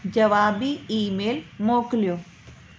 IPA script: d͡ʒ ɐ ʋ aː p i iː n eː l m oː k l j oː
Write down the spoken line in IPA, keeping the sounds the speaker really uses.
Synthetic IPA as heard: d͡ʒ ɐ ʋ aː b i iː m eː l m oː k l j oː